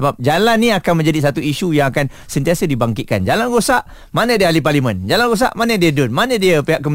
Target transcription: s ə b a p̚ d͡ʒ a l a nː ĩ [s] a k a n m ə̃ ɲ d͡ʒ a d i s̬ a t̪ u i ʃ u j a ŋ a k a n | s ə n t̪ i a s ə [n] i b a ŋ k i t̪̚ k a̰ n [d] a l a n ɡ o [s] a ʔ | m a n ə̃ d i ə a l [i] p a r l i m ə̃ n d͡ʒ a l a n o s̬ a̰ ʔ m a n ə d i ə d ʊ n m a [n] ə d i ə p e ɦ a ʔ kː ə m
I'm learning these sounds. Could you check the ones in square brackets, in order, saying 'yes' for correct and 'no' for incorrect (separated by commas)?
no, no, no, yes, yes, yes